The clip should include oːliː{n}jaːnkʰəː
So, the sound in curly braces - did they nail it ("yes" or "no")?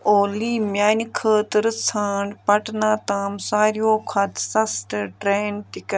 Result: no